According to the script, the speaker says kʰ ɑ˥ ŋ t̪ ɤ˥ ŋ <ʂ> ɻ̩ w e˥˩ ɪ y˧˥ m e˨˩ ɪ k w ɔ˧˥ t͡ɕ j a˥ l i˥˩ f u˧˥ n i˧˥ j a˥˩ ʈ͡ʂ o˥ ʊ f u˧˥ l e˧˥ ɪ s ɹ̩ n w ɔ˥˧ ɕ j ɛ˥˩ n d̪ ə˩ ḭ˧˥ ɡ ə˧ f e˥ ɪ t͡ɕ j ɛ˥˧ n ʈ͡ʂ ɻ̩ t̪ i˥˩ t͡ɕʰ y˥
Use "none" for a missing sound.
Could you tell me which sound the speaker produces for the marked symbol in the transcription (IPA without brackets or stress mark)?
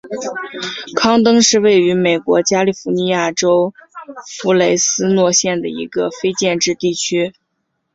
ʂ